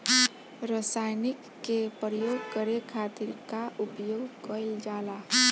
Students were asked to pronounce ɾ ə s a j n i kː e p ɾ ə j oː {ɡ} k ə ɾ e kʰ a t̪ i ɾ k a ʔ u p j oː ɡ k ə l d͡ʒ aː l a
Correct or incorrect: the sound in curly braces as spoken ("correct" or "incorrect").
correct